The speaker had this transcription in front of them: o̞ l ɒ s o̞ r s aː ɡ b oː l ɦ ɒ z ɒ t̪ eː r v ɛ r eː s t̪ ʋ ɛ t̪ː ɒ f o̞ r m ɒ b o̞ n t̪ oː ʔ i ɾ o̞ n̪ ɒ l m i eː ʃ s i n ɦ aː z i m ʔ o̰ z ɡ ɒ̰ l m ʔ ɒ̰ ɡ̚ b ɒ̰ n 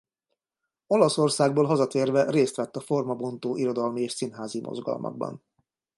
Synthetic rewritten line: o̞ l ɒ s o̞ r s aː ɡ b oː l ɦ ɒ z ɒ t̪ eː r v ɛ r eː s t̪ ʋ ɛ t̪ː ɒ f o̞ r m ɒ b o̞ n t̪ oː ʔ i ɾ o̞ d̪ ɒ l m i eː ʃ s i n ɦ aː z i m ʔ o̰ z ɡ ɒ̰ l m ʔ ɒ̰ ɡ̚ b ɒ̰ n